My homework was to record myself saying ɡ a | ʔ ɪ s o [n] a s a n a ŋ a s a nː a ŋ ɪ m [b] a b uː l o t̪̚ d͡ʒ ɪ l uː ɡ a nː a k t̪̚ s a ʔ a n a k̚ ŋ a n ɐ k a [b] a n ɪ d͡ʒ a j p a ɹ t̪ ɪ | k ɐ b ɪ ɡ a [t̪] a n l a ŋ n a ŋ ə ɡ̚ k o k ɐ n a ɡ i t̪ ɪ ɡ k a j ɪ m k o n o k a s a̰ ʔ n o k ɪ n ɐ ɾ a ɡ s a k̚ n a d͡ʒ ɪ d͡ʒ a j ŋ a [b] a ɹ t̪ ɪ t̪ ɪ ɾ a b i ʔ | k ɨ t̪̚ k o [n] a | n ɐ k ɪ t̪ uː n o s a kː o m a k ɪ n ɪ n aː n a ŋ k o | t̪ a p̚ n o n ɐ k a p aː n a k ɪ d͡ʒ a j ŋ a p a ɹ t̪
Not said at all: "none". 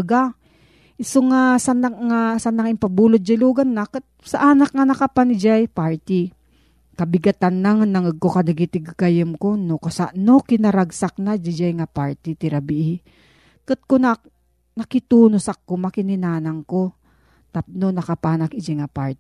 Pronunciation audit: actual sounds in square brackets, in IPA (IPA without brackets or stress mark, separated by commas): ŋ, p, p, t̪, p, n